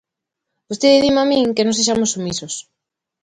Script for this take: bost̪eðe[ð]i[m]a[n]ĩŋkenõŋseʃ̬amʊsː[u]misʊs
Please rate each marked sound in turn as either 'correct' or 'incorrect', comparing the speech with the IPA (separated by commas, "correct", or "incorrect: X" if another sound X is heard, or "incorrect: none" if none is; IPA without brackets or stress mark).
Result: correct, correct, incorrect: m, correct